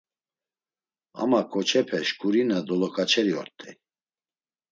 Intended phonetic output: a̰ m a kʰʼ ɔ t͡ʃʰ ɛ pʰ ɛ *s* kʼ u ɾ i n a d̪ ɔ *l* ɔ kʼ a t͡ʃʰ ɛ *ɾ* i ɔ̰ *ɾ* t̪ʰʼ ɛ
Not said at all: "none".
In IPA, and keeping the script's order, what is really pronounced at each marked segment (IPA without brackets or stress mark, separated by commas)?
ʃ, l, ɾ, ɾ